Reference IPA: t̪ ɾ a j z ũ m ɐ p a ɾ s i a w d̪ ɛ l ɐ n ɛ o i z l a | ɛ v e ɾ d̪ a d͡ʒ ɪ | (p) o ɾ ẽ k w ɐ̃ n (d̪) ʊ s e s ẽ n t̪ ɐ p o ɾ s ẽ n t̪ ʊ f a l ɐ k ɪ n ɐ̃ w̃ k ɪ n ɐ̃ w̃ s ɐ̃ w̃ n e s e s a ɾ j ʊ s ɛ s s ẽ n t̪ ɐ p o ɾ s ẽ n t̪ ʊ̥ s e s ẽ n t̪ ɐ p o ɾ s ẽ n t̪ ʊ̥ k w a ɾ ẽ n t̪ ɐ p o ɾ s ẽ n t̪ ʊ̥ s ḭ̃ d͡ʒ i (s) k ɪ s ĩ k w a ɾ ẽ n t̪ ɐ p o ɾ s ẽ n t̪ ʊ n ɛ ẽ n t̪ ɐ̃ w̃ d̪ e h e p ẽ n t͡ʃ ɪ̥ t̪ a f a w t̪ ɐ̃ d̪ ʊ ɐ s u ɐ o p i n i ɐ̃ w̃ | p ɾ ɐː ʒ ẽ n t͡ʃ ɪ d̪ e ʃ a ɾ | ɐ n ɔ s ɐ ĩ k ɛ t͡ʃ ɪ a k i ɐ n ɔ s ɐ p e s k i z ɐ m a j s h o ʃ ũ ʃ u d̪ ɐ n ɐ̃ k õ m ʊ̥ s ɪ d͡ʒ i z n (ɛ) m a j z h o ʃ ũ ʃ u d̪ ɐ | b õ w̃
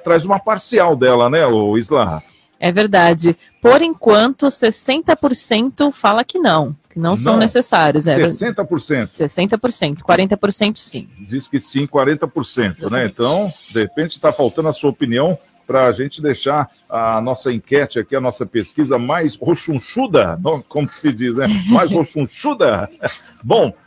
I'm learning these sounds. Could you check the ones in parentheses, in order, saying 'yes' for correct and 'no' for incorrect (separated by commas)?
yes, no, yes, yes